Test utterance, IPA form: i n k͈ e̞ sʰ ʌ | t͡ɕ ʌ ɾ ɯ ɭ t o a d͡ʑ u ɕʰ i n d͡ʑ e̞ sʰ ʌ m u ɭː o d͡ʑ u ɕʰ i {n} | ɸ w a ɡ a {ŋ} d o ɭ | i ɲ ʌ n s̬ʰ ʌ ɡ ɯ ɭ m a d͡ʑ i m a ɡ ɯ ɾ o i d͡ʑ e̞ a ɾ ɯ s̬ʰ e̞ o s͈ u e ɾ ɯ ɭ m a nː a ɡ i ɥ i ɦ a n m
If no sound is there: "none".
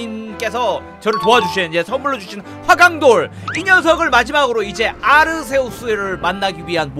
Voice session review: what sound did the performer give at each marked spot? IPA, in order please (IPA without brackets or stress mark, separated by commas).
n, ŋ